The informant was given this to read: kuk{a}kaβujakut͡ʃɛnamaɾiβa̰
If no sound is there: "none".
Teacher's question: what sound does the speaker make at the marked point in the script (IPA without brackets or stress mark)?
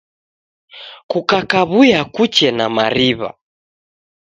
a